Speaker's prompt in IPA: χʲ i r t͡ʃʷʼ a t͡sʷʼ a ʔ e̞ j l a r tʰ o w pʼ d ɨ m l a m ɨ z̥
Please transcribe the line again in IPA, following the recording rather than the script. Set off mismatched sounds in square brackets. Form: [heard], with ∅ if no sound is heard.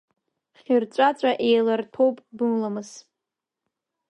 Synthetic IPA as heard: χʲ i r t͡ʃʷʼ a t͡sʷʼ a ʔ e̞ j l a r tʰ o w pʼ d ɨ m l a m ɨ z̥